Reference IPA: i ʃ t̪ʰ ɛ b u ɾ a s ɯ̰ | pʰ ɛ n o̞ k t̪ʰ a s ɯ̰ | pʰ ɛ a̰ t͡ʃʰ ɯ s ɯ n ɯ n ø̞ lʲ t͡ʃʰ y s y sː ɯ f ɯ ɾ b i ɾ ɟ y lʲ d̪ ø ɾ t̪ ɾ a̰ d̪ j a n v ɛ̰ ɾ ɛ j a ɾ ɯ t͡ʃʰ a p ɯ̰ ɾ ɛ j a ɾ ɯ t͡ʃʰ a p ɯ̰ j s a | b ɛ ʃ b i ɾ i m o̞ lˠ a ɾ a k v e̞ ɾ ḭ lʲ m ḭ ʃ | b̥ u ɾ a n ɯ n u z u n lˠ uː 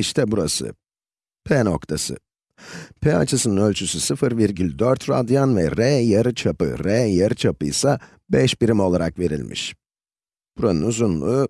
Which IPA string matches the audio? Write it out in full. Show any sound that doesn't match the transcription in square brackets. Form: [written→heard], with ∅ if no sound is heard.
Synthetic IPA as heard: i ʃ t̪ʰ ɛ b u ɾ a s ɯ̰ | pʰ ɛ n o̞ k t̪ʰ a s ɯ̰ | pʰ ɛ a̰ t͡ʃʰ ɯ s ɯ n ɯ n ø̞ lʲ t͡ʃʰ y s y [sː→s] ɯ f ɯ ɾ [b→v] i ɾ ɟ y lʲ d̪ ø ɾ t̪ ɾ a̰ d̪ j a n v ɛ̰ ɾ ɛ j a ɾ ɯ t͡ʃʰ a p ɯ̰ ɾ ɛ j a ɾ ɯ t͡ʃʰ a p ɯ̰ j s a | b ɛ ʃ b i ɾ i m o̞ lˠ a ɾ a k v e̞ ɾ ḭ lʲ m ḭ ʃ | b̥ u ɾ a n ɯ n u z u n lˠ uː